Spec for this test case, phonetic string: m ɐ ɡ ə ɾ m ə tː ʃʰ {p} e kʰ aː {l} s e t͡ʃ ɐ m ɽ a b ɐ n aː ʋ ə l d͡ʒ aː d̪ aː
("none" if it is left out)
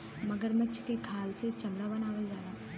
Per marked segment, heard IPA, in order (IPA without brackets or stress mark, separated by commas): k, l